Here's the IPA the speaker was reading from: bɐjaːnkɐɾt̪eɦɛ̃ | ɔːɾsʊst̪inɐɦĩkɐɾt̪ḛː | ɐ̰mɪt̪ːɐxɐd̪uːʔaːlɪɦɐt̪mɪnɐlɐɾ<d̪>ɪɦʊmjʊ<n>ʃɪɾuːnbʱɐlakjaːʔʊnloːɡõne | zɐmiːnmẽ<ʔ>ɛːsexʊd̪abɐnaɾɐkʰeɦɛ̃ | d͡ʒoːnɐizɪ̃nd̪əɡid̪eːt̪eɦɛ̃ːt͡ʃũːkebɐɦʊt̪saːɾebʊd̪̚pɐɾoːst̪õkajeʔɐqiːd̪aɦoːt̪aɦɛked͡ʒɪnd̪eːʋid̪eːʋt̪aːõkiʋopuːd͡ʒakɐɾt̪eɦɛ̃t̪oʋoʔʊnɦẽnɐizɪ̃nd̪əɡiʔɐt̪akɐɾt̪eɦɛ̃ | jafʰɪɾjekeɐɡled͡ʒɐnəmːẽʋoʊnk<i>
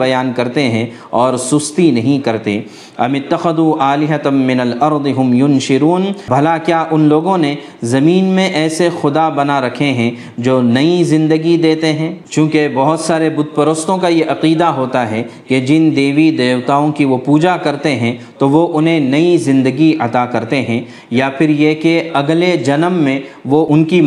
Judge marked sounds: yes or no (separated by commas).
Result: yes, yes, yes, yes